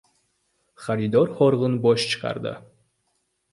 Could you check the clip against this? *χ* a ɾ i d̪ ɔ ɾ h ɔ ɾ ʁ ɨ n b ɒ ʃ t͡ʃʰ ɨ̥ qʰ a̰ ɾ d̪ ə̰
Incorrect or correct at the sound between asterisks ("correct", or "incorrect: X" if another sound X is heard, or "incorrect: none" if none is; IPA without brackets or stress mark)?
correct